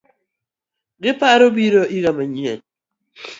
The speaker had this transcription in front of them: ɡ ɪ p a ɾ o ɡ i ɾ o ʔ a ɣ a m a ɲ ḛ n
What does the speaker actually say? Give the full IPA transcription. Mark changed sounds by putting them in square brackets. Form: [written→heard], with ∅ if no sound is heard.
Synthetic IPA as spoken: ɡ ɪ p a ɾ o [ɡ→b] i ɾ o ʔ [a→i] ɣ a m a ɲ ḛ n